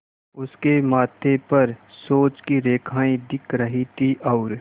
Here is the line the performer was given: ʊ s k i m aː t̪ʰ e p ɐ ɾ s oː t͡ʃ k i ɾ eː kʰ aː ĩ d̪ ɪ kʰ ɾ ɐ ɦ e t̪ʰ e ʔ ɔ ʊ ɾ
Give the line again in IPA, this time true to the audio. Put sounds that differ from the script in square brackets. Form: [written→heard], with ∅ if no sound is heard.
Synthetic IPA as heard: ʊ s k [i→e] m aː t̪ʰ e p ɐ ɾ s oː t͡ʃ k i ɾ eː kʰ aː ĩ d̪ ɪ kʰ ɾ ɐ ɦ [e→i] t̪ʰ [e→i] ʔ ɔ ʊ ɾ